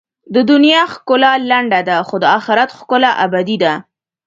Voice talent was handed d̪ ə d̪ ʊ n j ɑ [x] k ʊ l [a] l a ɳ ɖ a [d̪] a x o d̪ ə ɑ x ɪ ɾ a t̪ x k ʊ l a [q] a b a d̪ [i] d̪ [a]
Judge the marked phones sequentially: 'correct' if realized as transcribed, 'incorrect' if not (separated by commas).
correct, correct, correct, incorrect, correct, correct